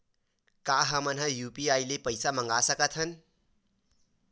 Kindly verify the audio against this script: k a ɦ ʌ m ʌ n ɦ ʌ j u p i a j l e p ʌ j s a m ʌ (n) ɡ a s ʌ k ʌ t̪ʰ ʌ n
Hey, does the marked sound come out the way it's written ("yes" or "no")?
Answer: no